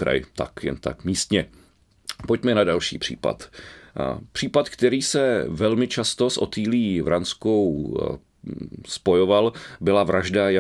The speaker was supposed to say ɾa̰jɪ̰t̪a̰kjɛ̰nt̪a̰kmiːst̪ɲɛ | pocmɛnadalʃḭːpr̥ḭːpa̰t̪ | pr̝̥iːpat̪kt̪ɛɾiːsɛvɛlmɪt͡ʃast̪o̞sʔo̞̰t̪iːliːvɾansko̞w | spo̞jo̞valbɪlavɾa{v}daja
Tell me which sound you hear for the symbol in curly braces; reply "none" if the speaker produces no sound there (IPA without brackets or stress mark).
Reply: ʒ